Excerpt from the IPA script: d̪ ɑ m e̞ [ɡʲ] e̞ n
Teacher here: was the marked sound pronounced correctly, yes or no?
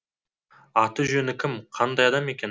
no